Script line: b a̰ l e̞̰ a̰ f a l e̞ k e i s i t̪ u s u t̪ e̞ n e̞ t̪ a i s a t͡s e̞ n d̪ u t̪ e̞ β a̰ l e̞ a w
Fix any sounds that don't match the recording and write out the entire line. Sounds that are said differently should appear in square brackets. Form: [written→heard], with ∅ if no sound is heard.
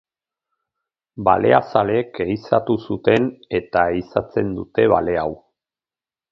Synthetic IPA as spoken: b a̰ l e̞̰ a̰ [f→s] a l e̞ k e i s [i→a] t̪ u s u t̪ e̞ n e̞ t̪ a i s a t͡s e̞ n d̪ u t̪ e̞ β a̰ l e̞ a w